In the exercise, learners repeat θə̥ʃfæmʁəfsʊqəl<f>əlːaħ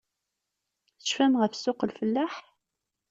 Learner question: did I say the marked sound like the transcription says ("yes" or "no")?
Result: yes